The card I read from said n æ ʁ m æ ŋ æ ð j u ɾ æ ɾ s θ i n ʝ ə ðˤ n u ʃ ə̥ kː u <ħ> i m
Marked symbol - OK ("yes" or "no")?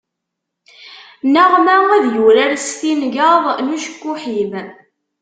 yes